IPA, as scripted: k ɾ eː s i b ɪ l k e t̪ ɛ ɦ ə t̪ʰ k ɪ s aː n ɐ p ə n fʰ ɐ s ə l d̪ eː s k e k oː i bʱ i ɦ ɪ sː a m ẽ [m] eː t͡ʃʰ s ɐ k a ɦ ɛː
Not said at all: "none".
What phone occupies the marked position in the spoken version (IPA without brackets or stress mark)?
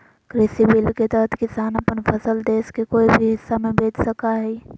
b